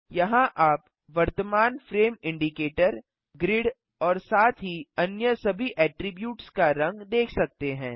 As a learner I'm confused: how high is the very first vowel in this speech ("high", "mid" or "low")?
low